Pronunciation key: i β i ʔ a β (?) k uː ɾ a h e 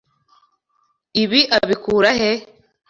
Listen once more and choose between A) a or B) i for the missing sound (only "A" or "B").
B